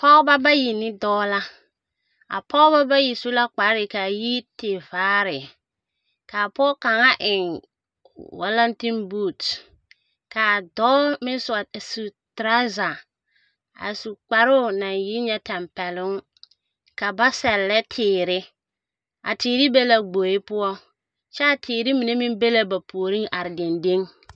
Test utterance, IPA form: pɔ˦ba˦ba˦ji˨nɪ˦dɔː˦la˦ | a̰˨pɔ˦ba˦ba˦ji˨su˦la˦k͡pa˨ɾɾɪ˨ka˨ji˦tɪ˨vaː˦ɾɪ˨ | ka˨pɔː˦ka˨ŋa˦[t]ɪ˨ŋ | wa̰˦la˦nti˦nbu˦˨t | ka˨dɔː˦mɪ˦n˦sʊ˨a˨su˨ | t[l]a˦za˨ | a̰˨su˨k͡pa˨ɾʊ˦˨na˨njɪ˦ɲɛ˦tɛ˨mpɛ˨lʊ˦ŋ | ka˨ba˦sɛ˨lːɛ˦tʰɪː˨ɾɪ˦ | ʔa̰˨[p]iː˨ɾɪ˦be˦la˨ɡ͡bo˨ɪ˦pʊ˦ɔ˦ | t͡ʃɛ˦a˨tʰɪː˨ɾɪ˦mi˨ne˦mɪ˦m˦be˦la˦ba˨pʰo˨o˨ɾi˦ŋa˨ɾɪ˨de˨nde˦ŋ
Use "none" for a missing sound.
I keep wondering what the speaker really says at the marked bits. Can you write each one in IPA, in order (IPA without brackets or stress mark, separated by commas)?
ʔ, ɾ, t